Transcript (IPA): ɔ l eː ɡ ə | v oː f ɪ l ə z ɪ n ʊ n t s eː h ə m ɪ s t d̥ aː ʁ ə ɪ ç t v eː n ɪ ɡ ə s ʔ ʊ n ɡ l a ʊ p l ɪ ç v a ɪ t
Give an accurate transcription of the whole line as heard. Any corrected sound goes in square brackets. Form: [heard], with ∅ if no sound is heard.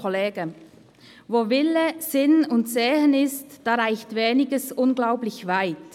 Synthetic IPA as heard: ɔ l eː ɡ ə | v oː [v] ɪ l ə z ɪ n ʊ n t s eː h ə [n] ɪ s t d̥ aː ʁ [a] ɪ ç t v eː n ɪ ɡ ə s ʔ ʊ n ɡ l a ʊ p l ɪ ç v a ɪ t